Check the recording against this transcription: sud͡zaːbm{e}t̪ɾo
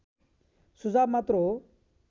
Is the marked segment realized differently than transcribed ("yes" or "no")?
yes